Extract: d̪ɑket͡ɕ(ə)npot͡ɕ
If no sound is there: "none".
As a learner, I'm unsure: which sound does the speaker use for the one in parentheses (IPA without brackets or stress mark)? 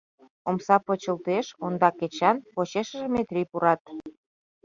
ɑ